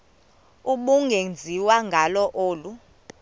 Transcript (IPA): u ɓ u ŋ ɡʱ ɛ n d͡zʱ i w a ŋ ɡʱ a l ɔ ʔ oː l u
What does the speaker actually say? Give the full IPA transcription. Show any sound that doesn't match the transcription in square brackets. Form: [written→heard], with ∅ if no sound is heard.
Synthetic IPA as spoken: u ɓ u ŋ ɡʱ [ɛ→e] n d͡zʱ i w a ŋ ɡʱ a l ɔ ʔ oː l u